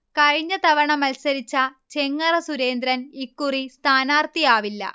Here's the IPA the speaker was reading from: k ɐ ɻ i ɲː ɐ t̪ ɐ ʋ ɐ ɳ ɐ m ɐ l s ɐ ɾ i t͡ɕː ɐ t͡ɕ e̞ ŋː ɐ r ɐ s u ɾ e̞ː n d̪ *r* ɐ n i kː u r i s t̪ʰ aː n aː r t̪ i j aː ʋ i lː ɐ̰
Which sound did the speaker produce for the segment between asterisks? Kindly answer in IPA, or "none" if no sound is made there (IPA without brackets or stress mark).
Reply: ɾ